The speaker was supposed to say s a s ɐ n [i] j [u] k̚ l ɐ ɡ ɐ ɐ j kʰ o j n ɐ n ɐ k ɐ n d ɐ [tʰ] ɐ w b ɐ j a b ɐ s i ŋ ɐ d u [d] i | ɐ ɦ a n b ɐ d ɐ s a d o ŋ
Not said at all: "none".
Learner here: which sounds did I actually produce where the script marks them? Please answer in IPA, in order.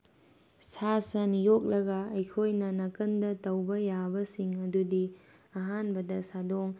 i, o, t, d

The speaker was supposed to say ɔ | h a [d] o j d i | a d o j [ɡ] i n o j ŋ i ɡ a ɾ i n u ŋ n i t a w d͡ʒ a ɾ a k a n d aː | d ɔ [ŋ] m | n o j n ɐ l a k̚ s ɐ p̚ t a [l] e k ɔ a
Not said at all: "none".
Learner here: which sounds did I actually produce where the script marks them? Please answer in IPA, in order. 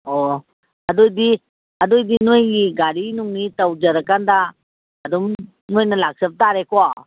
d, d, none, ɾ

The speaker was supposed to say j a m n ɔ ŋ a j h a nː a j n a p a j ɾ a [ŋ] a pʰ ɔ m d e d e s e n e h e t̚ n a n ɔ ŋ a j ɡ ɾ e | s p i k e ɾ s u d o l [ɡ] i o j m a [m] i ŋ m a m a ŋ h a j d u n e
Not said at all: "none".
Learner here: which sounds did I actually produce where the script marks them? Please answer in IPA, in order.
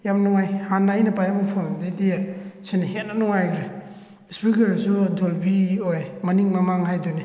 m, b, n

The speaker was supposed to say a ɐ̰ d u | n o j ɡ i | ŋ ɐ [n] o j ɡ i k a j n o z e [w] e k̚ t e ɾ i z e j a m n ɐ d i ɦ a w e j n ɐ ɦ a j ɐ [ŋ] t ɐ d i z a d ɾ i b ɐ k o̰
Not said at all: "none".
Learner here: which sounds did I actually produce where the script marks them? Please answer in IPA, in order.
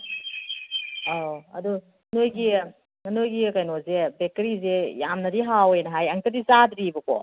n, b, ŋ

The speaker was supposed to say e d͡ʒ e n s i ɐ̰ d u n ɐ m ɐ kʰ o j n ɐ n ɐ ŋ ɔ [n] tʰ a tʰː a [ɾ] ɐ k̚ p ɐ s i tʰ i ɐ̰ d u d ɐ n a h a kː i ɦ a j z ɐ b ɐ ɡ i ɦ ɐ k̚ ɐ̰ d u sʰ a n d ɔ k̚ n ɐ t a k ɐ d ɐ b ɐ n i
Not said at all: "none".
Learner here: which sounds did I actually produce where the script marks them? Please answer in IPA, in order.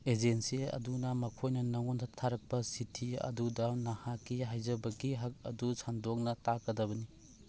n, ɾ

